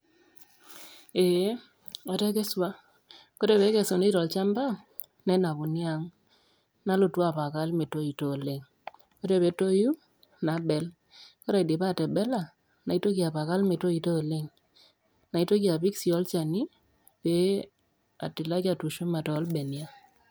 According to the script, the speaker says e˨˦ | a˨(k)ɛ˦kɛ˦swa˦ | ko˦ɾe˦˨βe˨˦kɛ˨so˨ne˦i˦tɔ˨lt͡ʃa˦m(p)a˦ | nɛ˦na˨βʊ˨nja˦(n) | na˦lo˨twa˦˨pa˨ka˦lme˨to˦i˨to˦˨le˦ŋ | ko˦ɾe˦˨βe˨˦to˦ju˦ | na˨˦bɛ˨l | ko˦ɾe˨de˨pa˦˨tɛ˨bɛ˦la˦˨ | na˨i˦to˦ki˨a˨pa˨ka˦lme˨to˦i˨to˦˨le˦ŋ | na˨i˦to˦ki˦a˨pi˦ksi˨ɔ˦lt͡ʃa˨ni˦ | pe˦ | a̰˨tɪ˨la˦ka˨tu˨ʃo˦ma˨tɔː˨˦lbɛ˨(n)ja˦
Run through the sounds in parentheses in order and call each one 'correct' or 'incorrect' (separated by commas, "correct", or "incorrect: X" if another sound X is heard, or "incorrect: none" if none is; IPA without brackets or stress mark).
incorrect: t, incorrect: b, incorrect: ŋ, correct